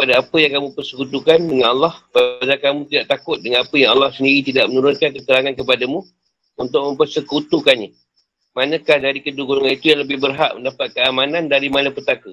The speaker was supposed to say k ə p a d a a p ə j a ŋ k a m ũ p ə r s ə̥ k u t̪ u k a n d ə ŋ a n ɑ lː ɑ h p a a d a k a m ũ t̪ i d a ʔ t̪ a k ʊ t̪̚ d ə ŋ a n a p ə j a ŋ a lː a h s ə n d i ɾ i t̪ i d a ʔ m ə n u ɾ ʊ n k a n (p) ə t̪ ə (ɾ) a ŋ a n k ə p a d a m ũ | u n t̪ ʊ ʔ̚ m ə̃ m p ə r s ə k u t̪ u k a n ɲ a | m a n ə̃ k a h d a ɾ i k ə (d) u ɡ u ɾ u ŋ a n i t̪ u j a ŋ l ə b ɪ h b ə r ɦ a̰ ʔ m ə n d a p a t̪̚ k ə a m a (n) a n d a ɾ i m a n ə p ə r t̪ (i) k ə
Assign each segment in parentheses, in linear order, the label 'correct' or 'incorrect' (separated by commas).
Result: incorrect, correct, correct, correct, incorrect